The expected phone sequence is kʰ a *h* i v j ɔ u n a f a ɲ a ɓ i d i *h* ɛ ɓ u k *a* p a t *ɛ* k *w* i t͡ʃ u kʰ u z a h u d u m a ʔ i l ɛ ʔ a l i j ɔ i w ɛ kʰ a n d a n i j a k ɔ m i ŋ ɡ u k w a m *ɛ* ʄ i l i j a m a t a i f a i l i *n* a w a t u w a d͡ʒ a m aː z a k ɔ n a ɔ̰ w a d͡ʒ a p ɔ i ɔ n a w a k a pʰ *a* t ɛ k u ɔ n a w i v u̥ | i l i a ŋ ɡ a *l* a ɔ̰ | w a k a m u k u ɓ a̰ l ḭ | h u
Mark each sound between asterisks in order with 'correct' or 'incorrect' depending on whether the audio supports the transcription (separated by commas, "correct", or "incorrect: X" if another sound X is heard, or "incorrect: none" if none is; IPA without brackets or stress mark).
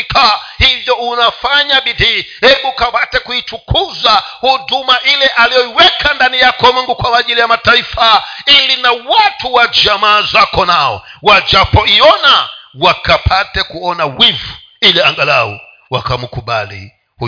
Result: correct, correct, correct, correct, incorrect: u, incorrect: a, correct, correct, correct